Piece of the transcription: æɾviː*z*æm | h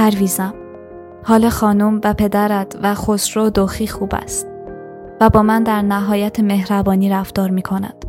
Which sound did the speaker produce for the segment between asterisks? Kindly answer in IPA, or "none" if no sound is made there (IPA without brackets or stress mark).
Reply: z